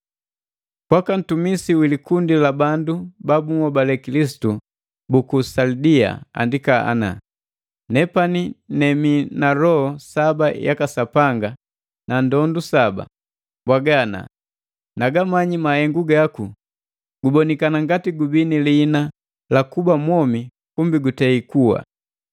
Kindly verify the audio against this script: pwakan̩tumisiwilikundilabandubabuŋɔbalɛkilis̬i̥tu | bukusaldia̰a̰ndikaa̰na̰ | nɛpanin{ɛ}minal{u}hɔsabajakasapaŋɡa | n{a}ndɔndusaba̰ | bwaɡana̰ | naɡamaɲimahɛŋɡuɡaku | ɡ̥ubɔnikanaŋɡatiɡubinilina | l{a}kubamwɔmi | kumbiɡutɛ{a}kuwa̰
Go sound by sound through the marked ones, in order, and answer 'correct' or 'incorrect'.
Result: correct, incorrect: ɔ, correct, correct, incorrect: i

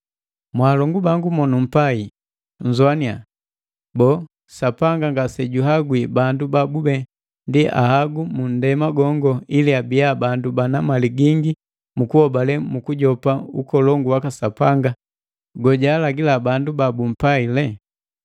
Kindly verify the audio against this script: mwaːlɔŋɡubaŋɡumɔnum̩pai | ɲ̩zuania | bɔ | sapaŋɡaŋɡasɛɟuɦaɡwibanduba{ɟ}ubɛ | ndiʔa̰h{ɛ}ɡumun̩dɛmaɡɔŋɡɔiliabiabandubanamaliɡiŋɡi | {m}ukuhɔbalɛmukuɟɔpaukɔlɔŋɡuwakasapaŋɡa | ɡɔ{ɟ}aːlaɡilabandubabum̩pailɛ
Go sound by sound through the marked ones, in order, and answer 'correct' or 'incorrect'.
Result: incorrect: b, incorrect: a, correct, correct

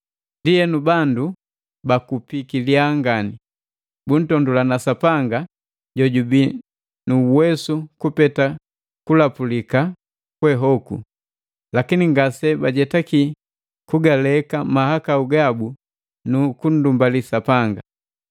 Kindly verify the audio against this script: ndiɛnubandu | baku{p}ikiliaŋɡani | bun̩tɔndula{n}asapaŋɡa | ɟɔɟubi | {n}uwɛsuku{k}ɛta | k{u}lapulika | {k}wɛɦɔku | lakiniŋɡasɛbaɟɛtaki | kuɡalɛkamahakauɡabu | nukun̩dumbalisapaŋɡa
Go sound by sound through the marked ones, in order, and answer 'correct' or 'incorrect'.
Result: correct, correct, correct, incorrect: p, correct, correct

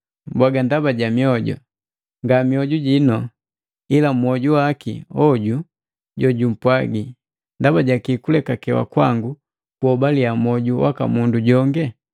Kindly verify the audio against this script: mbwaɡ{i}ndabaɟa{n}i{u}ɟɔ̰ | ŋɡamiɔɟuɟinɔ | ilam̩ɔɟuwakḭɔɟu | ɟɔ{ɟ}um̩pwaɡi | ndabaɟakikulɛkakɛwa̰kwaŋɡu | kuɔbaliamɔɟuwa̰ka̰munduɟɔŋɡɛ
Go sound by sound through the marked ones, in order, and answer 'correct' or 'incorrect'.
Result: incorrect: a, incorrect: m, incorrect: ɔ, correct

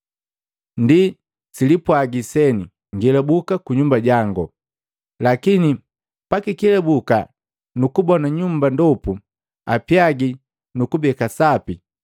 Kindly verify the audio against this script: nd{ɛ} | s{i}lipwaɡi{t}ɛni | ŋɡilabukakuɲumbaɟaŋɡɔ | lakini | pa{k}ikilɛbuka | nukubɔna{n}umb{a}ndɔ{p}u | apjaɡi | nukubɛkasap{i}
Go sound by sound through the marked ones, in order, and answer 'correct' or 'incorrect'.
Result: incorrect: i, correct, incorrect: s, correct, incorrect: ɲ, correct, correct, correct

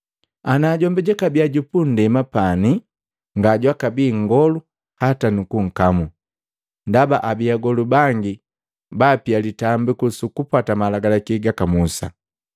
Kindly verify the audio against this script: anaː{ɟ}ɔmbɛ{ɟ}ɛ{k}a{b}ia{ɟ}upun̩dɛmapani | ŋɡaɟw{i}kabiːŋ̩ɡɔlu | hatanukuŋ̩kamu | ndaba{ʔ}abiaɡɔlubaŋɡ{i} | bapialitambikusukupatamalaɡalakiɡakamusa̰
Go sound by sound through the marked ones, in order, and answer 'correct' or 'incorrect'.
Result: correct, correct, correct, correct, correct, incorrect: a, correct, correct

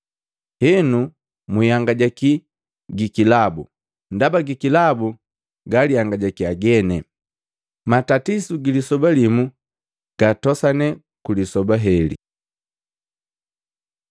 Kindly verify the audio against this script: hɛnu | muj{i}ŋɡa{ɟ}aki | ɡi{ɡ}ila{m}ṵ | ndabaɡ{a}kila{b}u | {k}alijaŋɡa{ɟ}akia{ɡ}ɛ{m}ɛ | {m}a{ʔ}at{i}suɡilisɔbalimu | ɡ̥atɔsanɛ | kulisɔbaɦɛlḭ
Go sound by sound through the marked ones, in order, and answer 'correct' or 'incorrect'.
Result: incorrect: a, correct, incorrect: k, incorrect: b, incorrect: i, correct, incorrect: ɡ, correct, correct, incorrect: n, correct, incorrect: t, correct

